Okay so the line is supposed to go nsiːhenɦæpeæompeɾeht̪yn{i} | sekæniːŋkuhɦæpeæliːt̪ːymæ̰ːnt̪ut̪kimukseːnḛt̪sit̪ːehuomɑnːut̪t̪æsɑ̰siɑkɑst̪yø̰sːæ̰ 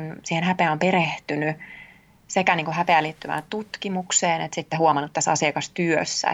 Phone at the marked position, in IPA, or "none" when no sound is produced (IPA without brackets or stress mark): y